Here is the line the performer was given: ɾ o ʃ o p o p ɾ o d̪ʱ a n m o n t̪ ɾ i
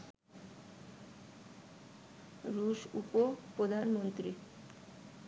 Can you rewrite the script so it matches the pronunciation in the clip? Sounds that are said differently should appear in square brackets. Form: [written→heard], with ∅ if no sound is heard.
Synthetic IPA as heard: ɾ [o→u] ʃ [o→u] p o p ɾ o d̪ʱ a n m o n t̪ ɾ i